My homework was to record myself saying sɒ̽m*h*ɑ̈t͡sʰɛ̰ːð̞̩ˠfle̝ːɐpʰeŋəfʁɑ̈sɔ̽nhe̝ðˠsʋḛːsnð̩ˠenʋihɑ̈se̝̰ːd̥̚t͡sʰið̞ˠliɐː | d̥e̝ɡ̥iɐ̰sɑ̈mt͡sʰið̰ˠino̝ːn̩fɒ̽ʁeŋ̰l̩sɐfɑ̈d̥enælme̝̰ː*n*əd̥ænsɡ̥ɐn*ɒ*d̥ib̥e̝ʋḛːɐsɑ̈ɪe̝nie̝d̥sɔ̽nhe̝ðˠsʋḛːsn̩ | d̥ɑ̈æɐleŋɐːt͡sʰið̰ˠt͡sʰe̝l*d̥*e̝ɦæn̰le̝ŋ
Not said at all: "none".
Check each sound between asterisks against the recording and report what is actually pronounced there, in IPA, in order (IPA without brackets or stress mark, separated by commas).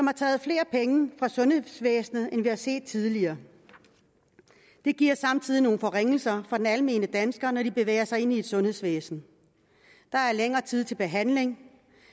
h, n, ɒ, b̥